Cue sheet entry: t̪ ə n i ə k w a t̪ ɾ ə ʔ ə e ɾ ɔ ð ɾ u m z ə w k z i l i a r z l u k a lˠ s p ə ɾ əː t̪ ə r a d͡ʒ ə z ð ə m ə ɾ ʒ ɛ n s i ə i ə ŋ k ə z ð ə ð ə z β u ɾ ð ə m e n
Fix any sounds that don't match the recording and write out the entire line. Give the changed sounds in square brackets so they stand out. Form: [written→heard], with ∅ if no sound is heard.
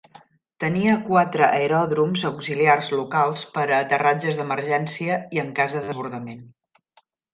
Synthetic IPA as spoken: t̪ ə n i ə k w a t̪ ɾ ə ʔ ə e ɾ ɔ ð ɾ u m z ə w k z i l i a r z l u k a lˠ s p ə ɾ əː t̪ ə r a d͡ʒ ə z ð ə m ə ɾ ʒ ɛ n s i ə i ə ŋ k [ə→a] z ð ə ð ə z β u ɾ ð ə m e n